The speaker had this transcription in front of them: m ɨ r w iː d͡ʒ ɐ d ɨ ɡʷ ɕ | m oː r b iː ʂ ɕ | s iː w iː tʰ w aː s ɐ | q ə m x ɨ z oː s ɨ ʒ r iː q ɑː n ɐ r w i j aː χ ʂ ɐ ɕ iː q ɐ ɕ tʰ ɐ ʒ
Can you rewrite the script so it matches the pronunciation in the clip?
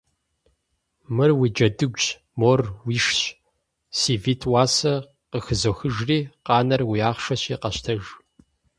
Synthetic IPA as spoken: m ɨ r w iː d͡ʒ ɐ d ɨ ɡʷ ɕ | m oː r w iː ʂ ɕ | s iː v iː tʰ w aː s ɐ | q ə x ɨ z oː x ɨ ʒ r iː q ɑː n ɐ r w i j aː χ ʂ ɐ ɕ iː q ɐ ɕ tʰ ɐ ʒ

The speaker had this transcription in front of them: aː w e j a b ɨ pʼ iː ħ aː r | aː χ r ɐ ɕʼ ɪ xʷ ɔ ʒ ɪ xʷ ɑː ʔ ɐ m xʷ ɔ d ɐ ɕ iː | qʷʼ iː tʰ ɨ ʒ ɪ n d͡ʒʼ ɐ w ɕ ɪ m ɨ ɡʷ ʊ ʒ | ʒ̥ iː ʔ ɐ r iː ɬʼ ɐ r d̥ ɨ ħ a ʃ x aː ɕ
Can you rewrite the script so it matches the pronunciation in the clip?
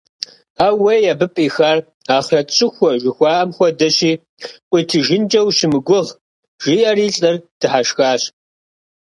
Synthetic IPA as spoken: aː w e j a b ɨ pʼ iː x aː r | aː χ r ɐ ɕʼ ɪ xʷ ɔ ʒ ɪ xʷ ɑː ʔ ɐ m xʷ ɔ d ɐ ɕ iː | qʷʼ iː tʰ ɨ ʒ ɪ n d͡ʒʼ ɐ w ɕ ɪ m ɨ ɡʷ ʊ ʁ | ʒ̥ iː ʔ ɐ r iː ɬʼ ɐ r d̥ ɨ ħ a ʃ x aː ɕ

